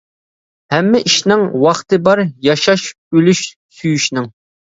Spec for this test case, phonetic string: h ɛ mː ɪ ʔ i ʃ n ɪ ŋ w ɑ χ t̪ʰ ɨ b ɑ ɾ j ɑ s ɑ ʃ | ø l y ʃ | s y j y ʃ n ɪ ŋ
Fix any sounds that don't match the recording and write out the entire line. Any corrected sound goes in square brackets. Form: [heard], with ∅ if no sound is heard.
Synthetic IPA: h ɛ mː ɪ ʔ i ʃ n ɪ ŋ w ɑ χ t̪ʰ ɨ b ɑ ɾ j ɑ [ʃ] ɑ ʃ | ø l y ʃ | s y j y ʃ n ɪ ŋ